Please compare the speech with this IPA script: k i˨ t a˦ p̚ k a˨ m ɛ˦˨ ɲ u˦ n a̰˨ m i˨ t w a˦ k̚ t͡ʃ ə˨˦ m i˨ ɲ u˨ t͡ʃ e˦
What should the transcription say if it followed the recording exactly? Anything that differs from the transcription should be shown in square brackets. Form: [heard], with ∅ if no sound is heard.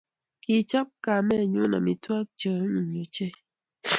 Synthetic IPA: k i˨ [t͡ʃ] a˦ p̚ k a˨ m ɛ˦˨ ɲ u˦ n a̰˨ m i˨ t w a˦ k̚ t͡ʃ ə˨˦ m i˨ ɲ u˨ t͡ʃ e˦